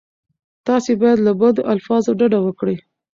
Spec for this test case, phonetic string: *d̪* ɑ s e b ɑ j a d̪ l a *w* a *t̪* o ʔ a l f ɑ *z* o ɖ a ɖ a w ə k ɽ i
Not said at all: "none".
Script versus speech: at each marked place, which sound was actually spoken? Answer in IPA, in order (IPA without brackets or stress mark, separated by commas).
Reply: t̪, b, d̪, z